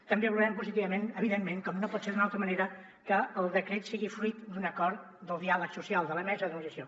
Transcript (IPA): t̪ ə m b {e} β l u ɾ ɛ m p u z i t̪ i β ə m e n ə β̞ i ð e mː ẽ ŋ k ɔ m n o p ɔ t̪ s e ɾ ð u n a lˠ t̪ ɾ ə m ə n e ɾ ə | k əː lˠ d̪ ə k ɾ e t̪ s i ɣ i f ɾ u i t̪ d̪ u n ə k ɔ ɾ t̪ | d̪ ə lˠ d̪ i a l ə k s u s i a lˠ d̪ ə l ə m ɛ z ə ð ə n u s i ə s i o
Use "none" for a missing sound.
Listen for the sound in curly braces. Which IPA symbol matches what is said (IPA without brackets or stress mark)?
e